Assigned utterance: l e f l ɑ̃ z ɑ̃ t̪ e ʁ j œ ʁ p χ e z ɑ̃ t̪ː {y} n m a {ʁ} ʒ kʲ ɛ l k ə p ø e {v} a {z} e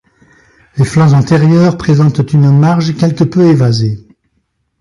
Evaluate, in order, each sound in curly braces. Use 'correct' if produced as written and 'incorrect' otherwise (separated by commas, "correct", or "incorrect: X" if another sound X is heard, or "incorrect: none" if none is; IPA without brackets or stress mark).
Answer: correct, correct, correct, correct